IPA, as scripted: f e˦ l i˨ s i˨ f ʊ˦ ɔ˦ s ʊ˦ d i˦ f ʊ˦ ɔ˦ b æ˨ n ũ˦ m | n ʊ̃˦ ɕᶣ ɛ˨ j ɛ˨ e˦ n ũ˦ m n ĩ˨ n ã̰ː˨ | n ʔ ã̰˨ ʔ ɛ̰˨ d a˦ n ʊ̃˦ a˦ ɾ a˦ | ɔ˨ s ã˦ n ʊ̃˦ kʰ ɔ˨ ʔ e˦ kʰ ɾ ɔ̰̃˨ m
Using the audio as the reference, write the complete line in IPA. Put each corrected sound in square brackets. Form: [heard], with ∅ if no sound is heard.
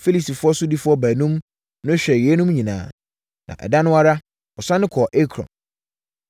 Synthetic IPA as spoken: f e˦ l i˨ s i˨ f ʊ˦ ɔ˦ s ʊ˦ d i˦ f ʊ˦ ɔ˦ b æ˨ n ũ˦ m | n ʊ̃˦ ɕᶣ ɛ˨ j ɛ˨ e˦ n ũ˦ m [ɲ] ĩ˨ n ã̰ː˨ | n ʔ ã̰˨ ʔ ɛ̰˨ d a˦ n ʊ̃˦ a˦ ɾ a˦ | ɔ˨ s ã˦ n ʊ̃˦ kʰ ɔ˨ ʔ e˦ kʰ ɾ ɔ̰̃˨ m